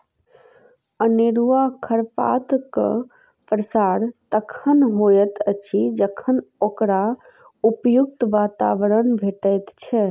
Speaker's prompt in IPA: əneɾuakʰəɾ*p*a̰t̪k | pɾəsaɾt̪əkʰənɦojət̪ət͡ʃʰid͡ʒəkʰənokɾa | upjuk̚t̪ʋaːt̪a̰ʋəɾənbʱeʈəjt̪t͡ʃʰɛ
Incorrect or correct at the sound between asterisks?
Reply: correct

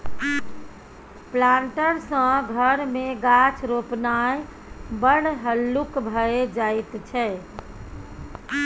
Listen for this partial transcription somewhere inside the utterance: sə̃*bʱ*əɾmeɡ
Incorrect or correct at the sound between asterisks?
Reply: incorrect: ɡʱ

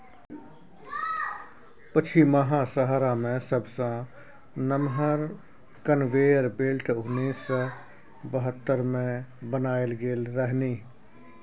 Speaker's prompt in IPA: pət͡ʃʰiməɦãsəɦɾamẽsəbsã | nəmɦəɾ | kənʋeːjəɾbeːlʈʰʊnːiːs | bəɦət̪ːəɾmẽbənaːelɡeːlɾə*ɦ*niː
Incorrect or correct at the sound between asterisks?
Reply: correct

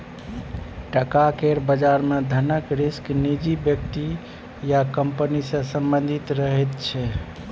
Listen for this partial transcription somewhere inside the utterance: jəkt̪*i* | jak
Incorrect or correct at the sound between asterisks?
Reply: correct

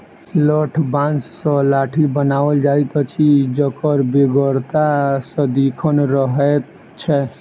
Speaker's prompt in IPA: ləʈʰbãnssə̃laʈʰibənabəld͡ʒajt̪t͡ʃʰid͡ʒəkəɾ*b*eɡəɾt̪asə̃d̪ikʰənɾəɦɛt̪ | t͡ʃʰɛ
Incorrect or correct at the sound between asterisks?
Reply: correct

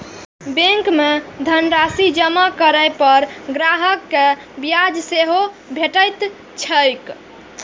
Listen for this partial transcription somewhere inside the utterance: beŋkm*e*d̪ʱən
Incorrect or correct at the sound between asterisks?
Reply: correct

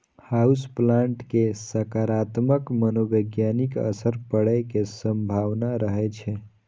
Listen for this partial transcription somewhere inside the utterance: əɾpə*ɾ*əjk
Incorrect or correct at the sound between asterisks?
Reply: incorrect: ɽ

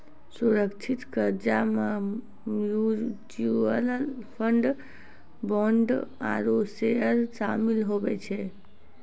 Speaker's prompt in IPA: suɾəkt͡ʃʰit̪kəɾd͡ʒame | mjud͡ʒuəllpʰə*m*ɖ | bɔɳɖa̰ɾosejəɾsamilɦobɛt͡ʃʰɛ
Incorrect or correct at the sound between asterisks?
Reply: incorrect: ɳ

